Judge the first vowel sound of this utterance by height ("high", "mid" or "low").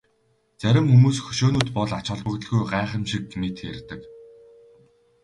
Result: low